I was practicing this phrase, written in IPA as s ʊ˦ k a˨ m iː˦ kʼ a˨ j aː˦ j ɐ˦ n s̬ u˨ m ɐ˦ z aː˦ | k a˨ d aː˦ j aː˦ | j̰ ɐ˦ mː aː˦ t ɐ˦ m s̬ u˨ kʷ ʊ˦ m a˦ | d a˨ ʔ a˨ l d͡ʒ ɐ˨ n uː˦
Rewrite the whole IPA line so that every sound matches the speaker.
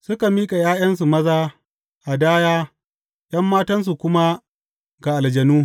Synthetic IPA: s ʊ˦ k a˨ m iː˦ kʼ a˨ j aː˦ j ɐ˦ n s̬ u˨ m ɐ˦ z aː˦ | ʔ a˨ d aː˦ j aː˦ | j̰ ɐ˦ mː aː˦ t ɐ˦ n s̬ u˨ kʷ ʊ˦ m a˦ | ɡ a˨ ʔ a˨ l d͡ʒ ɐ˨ n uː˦